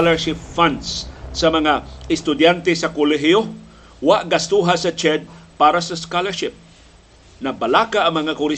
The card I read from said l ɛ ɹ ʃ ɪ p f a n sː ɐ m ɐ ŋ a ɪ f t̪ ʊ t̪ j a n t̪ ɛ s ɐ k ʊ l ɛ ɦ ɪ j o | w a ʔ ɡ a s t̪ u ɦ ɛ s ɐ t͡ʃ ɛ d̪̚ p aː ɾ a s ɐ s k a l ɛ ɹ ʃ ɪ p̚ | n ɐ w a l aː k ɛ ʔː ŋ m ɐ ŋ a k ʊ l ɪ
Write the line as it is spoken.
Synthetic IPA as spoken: l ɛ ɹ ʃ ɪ p f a n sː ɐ m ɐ ŋ a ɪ s t̪ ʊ d̪ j a n t̪ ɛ s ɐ k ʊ l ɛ ɦ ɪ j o | w a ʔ ɡ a s t̪ u ɦ a s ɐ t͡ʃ ɛ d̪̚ p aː ɾ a s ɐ s k a l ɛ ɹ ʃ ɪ p̚ | n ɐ b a l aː k a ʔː ŋ m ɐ ŋ a k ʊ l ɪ